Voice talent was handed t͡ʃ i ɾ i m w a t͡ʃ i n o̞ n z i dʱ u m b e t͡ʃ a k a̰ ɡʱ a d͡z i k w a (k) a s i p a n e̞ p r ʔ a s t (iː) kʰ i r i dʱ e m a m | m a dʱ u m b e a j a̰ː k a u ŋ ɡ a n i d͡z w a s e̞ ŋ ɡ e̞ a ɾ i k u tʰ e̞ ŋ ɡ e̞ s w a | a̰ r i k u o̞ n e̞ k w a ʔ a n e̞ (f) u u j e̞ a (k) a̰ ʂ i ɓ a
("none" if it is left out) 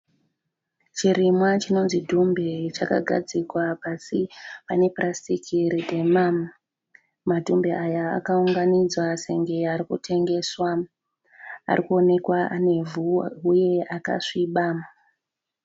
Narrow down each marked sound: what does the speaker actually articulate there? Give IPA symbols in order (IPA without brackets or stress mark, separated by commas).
p, i, v, k